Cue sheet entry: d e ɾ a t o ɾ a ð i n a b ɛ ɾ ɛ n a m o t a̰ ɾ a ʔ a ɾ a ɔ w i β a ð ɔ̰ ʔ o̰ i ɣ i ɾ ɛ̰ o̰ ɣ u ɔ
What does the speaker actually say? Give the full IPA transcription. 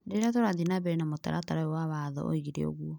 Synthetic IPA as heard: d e ɾ a t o ɾ a ð i n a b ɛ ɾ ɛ n a m o t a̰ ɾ a t a ɾ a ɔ w a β a ð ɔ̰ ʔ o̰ i ɣ i ɾ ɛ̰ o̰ ɣ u ɔ